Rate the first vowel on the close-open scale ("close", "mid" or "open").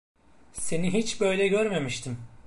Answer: mid